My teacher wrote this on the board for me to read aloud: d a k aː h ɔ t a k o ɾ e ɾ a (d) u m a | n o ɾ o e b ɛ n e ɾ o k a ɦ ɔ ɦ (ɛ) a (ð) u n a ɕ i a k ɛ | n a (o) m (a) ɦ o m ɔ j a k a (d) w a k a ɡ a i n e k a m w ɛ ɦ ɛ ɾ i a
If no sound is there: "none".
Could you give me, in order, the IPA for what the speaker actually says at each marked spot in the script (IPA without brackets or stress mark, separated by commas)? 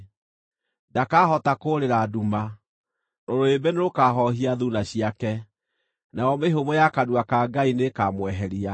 d, i, ð, ɔ, e, d